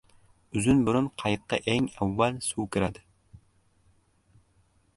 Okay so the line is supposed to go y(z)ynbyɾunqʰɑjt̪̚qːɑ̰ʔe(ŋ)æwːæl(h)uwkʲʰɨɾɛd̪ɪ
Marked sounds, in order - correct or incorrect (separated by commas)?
correct, correct, incorrect